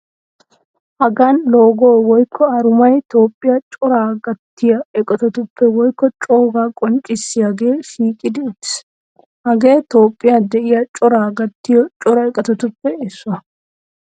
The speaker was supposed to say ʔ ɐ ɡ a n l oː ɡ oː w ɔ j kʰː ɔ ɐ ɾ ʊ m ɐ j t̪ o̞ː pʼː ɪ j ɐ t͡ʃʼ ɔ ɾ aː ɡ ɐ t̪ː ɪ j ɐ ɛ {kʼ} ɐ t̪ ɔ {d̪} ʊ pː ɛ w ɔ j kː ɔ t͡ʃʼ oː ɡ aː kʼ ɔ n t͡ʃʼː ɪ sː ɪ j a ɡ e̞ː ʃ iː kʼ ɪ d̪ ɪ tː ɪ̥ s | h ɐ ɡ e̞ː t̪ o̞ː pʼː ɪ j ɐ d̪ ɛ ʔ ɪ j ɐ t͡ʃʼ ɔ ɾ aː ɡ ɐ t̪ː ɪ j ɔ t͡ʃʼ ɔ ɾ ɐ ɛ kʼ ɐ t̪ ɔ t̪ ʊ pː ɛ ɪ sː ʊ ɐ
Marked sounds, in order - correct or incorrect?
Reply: correct, incorrect: t̪

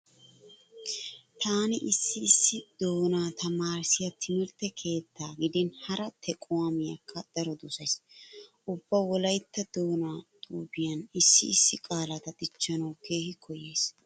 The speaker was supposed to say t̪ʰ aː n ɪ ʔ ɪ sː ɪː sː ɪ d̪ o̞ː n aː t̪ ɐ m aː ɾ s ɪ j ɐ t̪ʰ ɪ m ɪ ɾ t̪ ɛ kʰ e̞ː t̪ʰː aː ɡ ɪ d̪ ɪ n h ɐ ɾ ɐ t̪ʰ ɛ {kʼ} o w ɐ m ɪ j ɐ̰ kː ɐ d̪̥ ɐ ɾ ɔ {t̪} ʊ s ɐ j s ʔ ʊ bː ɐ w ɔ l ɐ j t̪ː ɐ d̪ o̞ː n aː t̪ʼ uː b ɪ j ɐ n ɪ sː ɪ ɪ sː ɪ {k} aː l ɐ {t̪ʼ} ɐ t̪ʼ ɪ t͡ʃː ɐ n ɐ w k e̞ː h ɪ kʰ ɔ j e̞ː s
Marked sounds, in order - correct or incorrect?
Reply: correct, incorrect: d̪, incorrect: kʼ, incorrect: t̪

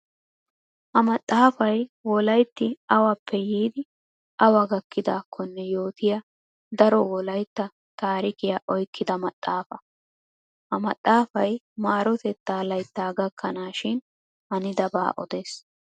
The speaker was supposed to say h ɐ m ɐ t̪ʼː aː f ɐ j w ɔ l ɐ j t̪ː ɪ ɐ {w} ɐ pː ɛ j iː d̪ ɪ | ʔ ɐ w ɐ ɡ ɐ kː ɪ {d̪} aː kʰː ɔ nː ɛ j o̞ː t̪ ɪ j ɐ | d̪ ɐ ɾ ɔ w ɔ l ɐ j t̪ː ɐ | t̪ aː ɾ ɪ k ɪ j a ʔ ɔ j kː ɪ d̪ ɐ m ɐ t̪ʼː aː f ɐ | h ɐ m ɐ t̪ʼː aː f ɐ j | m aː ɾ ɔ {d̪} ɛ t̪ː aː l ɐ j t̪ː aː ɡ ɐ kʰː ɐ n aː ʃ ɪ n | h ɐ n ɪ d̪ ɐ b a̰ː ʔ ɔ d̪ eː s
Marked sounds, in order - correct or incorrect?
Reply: correct, correct, incorrect: t̪

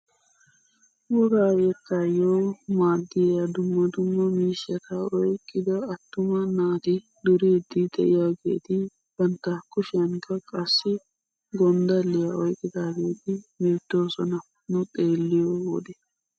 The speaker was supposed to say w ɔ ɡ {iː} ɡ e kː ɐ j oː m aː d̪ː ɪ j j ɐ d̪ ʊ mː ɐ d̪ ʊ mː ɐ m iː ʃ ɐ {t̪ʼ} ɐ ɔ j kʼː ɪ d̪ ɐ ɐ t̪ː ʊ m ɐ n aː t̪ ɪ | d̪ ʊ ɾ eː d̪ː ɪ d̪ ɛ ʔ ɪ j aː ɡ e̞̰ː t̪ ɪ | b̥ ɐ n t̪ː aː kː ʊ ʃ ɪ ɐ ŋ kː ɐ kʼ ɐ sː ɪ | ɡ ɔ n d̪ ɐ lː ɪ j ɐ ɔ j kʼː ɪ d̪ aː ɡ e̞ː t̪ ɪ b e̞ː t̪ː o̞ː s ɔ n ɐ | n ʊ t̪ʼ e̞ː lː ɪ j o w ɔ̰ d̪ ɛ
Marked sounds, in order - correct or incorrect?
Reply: incorrect: aː, incorrect: t̪

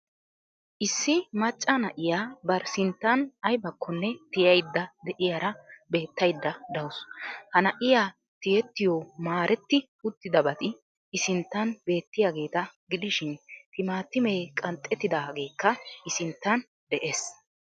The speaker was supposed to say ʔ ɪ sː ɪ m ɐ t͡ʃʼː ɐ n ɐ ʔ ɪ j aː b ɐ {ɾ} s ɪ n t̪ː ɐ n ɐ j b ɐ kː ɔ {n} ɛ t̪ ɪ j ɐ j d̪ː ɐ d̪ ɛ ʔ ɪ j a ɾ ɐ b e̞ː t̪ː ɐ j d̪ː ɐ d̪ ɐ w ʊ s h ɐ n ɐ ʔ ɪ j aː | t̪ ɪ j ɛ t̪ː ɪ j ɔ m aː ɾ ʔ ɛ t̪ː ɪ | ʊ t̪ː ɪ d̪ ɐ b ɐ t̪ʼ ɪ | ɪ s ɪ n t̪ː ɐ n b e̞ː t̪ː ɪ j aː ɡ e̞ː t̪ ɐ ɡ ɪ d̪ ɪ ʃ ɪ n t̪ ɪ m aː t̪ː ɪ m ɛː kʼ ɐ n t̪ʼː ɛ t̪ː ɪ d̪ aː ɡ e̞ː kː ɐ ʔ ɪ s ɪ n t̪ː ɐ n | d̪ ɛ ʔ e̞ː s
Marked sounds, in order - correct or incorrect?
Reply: correct, incorrect: nː

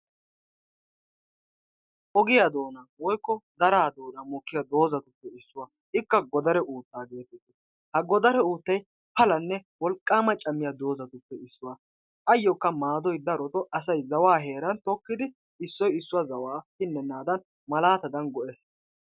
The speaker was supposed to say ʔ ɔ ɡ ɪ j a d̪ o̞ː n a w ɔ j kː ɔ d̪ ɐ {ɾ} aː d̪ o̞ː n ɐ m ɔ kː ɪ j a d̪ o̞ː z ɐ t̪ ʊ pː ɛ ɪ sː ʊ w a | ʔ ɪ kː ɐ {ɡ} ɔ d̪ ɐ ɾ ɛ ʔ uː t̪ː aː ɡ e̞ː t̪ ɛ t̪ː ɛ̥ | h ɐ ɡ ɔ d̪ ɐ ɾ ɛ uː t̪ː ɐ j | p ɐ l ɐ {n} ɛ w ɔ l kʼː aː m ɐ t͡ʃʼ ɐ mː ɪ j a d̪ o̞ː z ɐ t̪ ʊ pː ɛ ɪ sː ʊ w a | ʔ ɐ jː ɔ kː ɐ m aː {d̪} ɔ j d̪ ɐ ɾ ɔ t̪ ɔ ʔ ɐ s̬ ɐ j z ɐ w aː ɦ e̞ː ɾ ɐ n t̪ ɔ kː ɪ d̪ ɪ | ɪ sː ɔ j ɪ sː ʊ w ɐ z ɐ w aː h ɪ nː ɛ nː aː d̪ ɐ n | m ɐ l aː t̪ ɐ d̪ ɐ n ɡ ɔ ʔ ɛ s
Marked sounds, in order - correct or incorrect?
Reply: correct, correct, incorrect: nː, correct

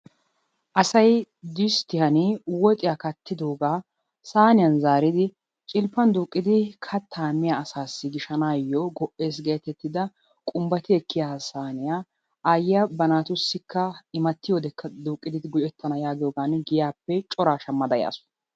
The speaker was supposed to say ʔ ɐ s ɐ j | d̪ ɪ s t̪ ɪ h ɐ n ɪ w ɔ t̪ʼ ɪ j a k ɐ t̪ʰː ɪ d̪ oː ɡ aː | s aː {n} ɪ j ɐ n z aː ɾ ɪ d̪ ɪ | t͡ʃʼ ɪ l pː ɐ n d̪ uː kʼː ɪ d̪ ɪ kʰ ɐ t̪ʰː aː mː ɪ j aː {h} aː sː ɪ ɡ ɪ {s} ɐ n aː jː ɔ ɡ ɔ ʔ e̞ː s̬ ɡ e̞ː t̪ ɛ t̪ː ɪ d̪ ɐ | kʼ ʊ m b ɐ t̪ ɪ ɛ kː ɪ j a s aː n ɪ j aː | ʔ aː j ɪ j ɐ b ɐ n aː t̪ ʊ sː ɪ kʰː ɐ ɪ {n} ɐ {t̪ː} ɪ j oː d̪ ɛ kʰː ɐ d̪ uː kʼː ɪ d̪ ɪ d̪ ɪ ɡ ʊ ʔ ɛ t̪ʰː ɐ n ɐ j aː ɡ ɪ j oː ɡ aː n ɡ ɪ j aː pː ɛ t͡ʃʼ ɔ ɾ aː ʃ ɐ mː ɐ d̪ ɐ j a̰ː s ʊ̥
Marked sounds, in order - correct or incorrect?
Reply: correct, incorrect: s, incorrect: ʃ, incorrect: m, correct

